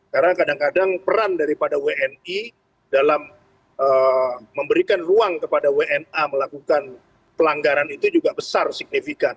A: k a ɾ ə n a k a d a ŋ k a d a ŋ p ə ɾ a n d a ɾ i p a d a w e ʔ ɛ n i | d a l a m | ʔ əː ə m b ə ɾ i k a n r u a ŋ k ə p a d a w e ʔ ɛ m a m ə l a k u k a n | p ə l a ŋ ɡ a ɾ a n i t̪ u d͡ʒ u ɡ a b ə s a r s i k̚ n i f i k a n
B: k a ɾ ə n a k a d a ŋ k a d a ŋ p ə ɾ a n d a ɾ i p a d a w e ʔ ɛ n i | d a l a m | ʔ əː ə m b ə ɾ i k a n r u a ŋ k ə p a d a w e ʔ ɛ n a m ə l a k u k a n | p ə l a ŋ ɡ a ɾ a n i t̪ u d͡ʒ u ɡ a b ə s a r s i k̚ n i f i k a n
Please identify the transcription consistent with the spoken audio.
B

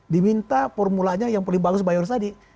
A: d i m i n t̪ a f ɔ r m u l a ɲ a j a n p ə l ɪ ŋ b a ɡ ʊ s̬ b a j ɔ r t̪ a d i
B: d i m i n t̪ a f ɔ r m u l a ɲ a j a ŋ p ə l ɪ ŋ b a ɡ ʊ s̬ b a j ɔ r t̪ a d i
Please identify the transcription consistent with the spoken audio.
B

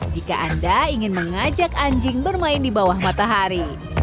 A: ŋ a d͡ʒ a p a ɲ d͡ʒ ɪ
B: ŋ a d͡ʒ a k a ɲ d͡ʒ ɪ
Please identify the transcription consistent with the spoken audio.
B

